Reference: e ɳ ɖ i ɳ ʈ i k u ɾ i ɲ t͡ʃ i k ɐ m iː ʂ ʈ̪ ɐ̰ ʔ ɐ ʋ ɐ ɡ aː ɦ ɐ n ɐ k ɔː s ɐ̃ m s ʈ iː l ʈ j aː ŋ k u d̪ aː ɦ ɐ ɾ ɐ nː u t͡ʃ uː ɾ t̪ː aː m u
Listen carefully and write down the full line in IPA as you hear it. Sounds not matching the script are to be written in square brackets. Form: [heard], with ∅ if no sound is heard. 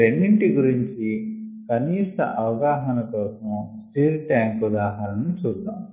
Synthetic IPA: e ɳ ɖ i ɳ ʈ i [ɡ] u ɾ i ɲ t͡ʃ i k ɐ [n] iː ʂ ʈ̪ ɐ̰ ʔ ɐ ʋ ɐ ɡ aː ɦ ɐ n ɐ k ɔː s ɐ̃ m s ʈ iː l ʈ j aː ŋ k u d̪ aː ɦ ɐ ɾ ɐ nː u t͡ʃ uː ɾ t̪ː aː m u